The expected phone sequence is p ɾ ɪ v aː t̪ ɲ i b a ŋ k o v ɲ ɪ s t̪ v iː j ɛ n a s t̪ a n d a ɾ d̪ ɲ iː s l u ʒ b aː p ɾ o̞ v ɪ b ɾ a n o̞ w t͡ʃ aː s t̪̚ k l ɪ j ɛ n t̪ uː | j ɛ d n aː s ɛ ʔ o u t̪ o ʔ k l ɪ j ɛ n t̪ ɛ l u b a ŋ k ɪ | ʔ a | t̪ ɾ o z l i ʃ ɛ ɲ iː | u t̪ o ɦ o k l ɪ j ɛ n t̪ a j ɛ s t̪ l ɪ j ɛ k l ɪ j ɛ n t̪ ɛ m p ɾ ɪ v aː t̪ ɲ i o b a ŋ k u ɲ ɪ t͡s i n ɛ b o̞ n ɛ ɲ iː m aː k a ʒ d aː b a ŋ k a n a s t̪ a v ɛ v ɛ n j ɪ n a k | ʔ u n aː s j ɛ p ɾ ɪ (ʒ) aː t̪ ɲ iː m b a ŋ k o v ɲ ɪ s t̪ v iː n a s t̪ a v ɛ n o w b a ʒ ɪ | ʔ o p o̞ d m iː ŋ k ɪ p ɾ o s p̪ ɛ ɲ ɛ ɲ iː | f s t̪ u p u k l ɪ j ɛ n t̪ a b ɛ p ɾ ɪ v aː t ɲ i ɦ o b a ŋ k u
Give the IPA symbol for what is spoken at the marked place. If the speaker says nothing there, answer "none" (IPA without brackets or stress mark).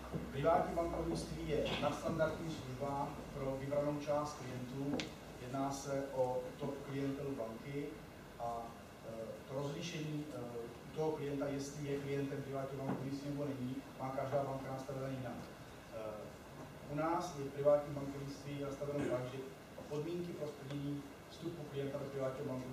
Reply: v